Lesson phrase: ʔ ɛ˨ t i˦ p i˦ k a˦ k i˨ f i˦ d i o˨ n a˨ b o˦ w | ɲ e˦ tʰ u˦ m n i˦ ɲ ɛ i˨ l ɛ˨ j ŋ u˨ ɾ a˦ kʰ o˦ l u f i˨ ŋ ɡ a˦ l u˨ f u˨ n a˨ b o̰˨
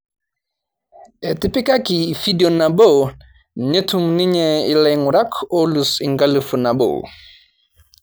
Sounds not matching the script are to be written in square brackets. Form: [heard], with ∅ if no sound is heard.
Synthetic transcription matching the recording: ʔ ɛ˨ t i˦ p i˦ k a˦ k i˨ f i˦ d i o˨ n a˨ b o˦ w | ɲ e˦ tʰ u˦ m n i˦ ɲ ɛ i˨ l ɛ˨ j ŋ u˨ ɾ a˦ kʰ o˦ l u [s] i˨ ŋ ɡ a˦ l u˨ f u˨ n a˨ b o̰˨

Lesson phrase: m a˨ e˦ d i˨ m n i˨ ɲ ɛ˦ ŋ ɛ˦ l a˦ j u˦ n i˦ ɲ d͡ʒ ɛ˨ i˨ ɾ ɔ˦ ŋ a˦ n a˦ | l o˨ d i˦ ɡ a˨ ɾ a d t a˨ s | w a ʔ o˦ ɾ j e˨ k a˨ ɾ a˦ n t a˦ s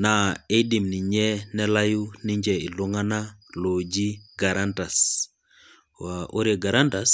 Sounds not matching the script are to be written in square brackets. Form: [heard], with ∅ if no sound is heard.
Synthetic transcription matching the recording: [n] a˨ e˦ d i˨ m n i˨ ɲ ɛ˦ [n] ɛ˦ l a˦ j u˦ n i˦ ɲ d͡ʒ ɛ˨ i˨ [l] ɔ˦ ŋ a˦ n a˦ | l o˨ [d͡ʒ] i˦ ɡ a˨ ɾ a [n] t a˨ s | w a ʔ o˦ ɾ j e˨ [ɡ] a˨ ɾ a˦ n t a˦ s

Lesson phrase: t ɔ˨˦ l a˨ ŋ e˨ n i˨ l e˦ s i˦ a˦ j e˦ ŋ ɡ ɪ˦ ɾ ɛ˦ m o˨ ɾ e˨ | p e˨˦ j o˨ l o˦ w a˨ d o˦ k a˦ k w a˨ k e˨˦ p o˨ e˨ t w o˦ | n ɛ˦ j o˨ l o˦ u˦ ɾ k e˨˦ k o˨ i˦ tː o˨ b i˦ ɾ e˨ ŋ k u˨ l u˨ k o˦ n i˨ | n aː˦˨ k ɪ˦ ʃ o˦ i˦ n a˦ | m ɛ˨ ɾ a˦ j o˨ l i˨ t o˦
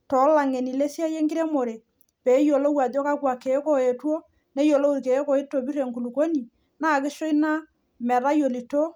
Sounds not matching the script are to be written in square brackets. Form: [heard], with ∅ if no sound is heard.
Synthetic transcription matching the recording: t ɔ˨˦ l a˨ ŋ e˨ n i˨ l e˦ s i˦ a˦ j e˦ ŋ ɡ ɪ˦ ɾ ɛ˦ m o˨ ɾ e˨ | p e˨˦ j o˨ l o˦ w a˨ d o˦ k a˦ k w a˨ k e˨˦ [k] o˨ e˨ t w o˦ | n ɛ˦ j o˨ l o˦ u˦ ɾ k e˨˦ k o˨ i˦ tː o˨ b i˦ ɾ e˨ ŋ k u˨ l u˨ k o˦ n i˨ | n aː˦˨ k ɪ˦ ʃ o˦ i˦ n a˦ | m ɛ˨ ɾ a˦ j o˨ l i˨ t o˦

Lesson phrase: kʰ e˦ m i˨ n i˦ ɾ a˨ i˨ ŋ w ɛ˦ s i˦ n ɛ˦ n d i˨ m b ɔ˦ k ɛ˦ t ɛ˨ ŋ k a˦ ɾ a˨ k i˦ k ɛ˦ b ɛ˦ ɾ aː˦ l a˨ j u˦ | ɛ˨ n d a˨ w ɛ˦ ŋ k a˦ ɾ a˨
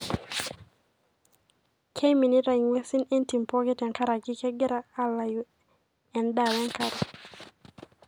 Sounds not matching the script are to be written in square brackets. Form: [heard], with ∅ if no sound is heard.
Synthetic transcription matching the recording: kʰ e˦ m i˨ n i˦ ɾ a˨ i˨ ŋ w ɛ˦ s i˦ n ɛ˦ n [t] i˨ m [p] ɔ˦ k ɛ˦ t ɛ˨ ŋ k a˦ ɾ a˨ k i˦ k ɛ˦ [ɡ] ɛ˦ ɾ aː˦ l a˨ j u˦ | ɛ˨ n d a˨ w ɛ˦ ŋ k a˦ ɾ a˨

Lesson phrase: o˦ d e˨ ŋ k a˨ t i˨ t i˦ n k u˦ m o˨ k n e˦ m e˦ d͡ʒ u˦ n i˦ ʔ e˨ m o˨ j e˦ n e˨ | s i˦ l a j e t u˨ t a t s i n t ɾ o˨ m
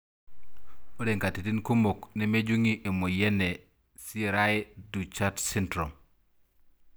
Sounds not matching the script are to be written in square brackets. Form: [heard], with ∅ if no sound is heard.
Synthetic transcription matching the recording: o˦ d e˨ ŋ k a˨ t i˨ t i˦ n k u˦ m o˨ k n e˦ m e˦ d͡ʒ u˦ [ŋ] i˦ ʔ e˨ m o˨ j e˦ n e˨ | s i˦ [ɾ] a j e [d] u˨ [t͡ʃ] a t s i n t ɾ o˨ m

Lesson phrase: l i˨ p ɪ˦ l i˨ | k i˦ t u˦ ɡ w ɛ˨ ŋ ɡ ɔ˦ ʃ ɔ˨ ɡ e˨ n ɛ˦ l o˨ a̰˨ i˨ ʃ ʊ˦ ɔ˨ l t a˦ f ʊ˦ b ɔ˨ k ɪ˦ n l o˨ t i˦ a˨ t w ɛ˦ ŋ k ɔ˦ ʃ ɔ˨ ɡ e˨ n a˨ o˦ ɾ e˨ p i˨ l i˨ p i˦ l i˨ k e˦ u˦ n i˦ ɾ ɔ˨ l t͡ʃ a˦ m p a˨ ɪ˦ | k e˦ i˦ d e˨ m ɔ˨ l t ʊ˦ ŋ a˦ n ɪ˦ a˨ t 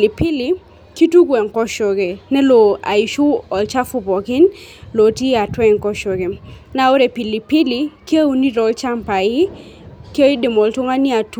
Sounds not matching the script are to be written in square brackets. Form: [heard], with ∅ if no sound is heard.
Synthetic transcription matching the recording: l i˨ p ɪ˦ l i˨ | k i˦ t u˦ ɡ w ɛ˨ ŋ [k] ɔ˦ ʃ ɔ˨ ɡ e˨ n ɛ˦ l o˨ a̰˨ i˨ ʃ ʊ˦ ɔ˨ l [t͡ʃ] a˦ f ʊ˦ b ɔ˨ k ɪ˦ n l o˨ t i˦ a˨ t w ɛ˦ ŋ k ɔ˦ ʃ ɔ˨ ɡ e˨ n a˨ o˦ ɾ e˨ p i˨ l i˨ p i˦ l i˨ k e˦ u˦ n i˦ ɾ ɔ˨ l t͡ʃ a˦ m p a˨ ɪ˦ | k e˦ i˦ d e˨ m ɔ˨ l t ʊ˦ ŋ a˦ n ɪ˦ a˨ t

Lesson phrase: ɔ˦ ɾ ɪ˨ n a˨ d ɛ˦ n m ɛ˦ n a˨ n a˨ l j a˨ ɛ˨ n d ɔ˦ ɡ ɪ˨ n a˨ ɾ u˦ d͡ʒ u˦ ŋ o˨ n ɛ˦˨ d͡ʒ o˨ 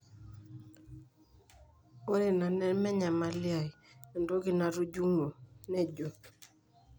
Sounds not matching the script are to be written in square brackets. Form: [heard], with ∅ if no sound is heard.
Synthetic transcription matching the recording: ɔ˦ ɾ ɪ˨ n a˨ [n] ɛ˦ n m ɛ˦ [ɲ] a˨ [m] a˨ l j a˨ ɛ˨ n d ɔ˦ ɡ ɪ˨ n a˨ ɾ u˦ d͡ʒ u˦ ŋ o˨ n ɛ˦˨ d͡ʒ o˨

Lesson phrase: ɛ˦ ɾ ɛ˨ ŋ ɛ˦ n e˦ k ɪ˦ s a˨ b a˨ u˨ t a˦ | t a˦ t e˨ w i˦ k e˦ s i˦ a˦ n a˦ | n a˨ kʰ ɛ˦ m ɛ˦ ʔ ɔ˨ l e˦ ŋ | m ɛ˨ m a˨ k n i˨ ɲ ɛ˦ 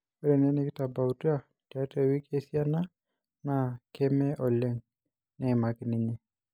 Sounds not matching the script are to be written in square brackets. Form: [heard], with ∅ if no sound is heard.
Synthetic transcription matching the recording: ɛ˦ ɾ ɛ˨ [n] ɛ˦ n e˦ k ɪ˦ [t] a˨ b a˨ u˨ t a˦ | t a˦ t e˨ w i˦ k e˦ s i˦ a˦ n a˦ | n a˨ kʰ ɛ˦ m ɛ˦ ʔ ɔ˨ l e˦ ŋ | [n] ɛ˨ m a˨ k n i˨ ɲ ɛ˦

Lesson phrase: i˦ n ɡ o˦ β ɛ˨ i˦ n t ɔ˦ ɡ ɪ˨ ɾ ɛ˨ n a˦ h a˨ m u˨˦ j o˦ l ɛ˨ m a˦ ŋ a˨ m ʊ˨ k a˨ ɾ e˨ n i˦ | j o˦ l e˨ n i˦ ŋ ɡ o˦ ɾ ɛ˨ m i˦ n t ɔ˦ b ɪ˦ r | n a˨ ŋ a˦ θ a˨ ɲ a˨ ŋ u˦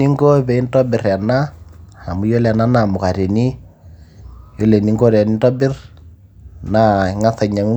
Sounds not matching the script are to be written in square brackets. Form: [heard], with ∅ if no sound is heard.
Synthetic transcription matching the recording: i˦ [ŋ] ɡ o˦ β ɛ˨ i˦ n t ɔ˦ [b] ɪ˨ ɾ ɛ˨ n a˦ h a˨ m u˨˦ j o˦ l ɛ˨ [n] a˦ [n] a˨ m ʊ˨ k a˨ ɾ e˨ n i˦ | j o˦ l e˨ n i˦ ŋ ɡ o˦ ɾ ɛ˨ [n] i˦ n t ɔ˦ b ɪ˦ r | n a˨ ŋ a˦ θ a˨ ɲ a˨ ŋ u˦

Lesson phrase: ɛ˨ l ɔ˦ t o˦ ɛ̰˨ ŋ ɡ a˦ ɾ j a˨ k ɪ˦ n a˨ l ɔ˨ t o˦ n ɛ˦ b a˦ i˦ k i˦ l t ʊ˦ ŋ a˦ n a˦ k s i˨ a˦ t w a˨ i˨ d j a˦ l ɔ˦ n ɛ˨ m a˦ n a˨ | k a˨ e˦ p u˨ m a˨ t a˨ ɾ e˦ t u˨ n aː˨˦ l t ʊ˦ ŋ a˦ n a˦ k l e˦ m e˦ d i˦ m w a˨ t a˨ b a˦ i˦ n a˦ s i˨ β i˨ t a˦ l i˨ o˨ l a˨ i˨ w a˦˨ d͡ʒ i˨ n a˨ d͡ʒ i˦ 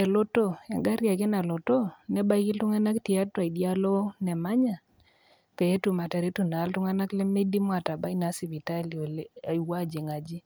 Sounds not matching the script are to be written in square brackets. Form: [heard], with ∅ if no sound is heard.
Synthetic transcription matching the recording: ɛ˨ l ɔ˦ t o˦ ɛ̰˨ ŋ ɡ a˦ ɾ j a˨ k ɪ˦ n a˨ l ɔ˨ t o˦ n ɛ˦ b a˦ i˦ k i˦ l t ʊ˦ ŋ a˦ n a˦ k [t] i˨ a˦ t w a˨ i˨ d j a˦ l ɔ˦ n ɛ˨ m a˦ [ɲ] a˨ | k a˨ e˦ [t] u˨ m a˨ t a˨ ɾ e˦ t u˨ n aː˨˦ l t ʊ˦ ŋ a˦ n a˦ k l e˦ m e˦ d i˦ m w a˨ t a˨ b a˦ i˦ n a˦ s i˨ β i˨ t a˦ l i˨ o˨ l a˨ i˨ w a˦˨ d͡ʒ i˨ [ŋ] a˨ d͡ʒ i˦

